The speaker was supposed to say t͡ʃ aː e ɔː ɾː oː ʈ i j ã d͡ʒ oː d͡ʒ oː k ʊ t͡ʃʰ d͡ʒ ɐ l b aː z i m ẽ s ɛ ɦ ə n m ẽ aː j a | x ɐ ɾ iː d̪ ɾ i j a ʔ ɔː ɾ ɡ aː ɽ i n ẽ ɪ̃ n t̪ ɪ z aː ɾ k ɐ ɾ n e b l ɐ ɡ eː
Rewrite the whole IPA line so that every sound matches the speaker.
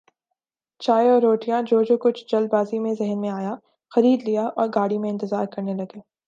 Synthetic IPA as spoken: t͡ʃ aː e ɔː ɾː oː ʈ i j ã d͡ʒ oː d͡ʒ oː k ʊ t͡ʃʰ d͡ʒ ɐ l b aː z i m ẽ z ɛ ɦ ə n m ẽ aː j a | x ɐ ɾ iː d̪ l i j a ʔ ɔː ɾ ɡ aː ɽ i m ẽ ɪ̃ n t̪ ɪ z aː ɾ k ɐ ɾ n e l ɐ ɡ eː